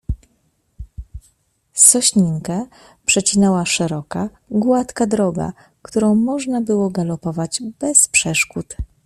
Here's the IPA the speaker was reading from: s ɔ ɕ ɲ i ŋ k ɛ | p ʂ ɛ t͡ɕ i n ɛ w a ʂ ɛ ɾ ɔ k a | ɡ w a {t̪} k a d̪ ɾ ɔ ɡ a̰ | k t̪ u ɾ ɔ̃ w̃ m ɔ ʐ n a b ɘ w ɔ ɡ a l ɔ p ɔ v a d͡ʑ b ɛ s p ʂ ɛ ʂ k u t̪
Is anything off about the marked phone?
no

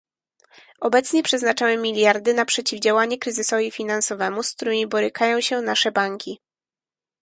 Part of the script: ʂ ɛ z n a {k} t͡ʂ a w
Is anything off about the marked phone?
yes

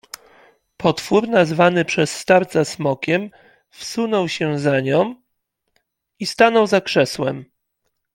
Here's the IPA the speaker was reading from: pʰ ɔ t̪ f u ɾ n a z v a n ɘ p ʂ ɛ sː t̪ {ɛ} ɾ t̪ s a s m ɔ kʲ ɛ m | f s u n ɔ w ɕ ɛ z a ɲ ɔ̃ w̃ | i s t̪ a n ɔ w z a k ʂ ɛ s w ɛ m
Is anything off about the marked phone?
yes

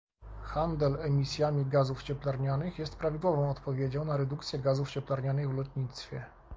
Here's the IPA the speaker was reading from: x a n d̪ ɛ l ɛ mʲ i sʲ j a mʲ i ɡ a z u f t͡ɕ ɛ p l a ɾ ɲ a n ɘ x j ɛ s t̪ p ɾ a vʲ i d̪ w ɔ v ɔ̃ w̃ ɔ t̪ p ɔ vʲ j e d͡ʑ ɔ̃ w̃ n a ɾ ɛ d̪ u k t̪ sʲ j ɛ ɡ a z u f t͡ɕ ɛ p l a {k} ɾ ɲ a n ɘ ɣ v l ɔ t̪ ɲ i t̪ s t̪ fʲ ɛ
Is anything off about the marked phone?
yes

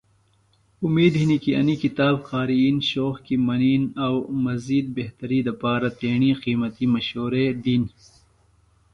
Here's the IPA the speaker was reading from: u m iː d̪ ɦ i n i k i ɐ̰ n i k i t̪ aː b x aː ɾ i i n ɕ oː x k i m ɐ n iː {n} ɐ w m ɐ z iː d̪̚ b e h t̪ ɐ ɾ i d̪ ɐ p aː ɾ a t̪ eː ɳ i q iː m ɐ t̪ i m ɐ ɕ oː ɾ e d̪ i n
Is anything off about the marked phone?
no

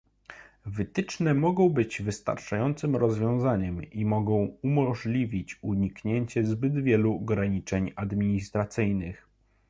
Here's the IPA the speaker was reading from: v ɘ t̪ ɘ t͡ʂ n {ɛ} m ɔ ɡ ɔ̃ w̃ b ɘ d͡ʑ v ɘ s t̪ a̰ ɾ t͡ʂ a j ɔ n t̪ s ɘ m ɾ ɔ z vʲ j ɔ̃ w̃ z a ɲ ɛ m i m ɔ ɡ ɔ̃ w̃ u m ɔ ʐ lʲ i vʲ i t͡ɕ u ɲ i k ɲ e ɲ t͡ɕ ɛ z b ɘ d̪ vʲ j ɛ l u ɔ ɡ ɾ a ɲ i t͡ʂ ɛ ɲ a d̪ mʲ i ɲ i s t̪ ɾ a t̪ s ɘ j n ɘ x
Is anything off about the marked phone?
no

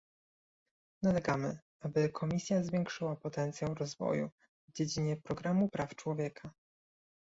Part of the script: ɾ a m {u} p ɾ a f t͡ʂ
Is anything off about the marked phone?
no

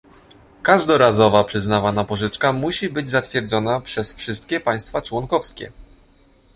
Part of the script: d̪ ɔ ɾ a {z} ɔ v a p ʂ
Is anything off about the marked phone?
no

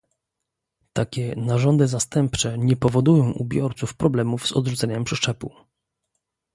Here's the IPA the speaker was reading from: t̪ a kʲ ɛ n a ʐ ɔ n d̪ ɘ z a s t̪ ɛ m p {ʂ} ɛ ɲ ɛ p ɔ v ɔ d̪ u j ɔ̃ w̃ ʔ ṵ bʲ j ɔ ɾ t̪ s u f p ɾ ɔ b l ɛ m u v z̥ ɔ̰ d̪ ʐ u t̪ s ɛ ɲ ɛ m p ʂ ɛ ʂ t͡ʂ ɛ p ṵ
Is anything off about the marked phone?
yes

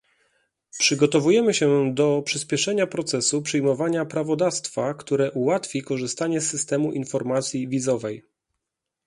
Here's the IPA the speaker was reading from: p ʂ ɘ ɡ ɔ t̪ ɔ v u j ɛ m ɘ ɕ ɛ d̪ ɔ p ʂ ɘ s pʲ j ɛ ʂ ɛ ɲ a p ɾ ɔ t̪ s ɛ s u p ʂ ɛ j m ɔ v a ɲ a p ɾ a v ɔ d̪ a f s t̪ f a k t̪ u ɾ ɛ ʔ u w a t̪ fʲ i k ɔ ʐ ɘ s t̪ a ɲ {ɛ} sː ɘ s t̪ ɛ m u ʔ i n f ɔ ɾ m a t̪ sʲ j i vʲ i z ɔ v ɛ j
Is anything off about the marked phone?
no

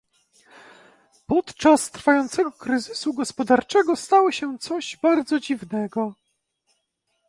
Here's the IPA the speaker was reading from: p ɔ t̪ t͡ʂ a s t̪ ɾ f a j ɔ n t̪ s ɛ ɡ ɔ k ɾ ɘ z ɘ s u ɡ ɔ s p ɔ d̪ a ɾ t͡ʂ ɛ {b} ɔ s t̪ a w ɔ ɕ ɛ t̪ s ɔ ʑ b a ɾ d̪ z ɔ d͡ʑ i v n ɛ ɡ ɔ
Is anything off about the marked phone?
yes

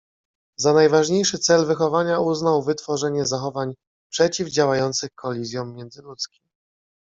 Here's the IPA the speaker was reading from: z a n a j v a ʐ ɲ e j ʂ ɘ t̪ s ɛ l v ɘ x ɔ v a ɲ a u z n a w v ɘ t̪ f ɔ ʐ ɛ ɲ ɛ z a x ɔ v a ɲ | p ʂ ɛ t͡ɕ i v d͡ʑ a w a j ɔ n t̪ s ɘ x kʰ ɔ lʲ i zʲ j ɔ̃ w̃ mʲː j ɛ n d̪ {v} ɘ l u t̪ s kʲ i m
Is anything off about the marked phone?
yes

